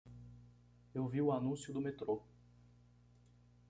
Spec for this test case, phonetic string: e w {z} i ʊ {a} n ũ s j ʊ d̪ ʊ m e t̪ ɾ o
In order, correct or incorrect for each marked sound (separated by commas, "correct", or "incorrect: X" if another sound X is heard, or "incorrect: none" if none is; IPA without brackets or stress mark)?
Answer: incorrect: v, correct